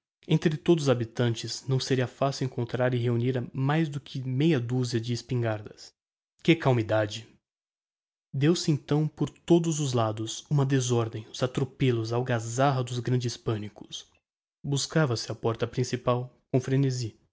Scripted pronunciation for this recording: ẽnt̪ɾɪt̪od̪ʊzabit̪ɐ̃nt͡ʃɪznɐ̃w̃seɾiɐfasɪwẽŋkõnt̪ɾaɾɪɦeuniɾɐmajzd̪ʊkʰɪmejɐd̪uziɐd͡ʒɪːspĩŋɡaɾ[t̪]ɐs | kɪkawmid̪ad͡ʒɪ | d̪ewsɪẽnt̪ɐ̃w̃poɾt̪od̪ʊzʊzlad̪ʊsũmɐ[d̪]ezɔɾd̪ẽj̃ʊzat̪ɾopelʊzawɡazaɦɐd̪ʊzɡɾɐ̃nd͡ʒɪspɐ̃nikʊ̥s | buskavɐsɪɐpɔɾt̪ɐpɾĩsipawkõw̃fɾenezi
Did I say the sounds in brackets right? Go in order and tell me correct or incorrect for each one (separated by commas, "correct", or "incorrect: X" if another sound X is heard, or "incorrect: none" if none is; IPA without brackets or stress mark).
incorrect: d̪, correct